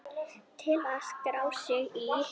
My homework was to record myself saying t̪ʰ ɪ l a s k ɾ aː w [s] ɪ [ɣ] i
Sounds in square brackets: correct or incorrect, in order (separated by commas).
correct, correct